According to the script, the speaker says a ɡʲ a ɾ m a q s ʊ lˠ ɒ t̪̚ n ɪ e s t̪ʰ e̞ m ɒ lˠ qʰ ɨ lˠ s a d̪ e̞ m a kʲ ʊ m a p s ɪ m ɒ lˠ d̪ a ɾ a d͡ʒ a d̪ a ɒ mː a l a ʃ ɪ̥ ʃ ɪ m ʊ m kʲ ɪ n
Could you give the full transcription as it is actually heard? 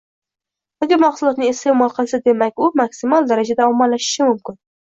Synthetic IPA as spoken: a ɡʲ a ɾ m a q s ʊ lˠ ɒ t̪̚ n ɪ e s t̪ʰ e̞ m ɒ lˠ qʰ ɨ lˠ s a d̪ e̞ m a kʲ ʊ m a k s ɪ m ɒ lˠ d̪ a ɾ a d͡ʒ a d̪ a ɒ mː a l a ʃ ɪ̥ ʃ ɪ m ʊ m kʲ ɪ n